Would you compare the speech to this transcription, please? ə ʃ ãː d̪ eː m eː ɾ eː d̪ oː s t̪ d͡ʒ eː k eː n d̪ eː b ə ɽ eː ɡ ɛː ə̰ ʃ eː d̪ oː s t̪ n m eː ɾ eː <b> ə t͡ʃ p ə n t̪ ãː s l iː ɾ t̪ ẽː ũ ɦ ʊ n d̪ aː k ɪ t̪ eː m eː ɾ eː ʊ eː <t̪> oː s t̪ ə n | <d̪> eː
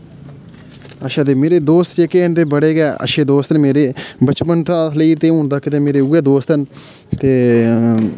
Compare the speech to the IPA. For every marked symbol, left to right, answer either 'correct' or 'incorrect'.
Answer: correct, incorrect: d̪, incorrect: t̪

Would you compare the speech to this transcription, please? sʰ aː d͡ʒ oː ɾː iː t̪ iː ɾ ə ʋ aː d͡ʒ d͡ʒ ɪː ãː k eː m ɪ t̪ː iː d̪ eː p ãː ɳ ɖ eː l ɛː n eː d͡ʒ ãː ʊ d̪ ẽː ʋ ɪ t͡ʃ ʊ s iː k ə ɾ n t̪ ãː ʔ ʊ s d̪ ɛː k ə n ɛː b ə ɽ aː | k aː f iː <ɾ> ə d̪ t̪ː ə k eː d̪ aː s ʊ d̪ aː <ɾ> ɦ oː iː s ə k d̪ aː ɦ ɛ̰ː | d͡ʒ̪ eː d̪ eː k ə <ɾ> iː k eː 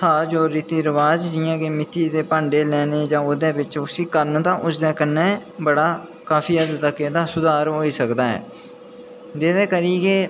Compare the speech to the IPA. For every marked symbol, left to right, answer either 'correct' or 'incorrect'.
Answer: incorrect: none, correct, correct

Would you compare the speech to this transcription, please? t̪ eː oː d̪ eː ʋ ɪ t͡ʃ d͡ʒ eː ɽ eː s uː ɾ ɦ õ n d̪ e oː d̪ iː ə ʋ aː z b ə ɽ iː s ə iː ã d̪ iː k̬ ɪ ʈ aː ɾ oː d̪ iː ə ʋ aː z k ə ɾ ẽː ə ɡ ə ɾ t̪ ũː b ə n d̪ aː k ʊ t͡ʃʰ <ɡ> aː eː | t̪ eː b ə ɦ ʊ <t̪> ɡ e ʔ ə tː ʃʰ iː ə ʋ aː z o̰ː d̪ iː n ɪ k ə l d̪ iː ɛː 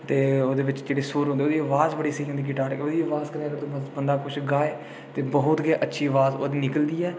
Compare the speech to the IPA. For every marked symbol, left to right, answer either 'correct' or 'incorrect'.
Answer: correct, correct

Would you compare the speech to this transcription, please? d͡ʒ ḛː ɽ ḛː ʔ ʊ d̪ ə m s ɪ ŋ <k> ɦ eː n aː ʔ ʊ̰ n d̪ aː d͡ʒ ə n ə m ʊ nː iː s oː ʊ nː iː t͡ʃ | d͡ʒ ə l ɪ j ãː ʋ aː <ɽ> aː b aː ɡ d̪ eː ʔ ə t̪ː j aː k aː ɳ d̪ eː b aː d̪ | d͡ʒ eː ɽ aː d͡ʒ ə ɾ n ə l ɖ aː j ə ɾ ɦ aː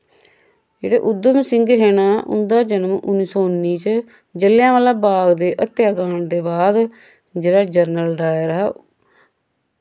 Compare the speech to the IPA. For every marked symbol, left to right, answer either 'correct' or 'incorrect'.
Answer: incorrect: ɡ, incorrect: l

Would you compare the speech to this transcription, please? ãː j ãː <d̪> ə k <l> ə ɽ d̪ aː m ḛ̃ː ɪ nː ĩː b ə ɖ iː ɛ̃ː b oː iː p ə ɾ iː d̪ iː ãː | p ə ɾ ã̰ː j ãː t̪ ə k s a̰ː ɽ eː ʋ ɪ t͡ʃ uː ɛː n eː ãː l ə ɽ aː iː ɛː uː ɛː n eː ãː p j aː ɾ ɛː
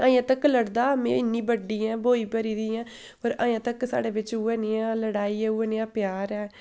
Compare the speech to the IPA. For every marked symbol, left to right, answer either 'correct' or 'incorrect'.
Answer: incorrect: t̪, correct

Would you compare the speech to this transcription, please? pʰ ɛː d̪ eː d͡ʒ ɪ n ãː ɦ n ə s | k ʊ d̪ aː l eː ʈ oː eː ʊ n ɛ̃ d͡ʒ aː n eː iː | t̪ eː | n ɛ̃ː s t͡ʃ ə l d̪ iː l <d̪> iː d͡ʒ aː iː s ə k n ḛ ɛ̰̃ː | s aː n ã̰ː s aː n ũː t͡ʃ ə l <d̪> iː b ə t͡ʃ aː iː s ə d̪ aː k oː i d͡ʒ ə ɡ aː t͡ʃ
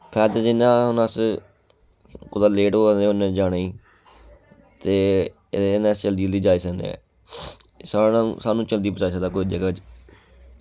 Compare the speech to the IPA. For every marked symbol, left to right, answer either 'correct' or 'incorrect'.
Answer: correct, correct

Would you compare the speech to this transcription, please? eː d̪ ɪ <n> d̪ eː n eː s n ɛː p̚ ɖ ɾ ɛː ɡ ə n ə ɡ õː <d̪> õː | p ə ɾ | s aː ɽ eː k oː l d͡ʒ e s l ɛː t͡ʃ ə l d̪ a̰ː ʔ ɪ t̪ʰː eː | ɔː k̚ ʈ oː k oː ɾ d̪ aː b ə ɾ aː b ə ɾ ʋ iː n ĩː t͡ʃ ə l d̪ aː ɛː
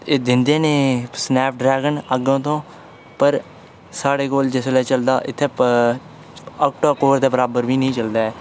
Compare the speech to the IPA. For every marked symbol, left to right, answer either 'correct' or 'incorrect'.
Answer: correct, incorrect: t̪

